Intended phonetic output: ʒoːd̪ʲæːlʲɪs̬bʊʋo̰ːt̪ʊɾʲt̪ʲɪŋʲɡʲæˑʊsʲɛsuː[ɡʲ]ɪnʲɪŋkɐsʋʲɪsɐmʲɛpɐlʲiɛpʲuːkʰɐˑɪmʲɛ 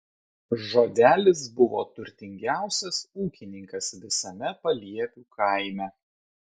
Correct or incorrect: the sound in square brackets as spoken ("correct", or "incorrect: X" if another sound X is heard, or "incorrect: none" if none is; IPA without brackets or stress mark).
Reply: incorrect: kʲ